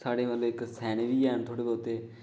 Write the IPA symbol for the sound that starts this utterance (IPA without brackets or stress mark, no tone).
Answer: s